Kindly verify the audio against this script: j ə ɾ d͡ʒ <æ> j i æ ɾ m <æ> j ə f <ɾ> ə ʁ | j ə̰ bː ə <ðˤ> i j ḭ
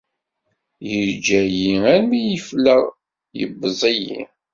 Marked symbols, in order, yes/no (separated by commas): yes, no, no, no